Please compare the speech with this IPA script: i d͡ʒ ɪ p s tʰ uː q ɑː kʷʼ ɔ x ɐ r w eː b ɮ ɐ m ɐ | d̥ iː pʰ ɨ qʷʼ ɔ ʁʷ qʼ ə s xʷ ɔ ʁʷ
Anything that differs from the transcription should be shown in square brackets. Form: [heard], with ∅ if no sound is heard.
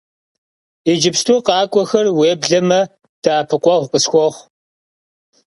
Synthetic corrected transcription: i d͡ʒ ɪ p s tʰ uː q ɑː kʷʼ ɔ x ɐ r w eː b ɮ ɐ m ɐ | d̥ [aː] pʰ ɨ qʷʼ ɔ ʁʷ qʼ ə s xʷ ɔ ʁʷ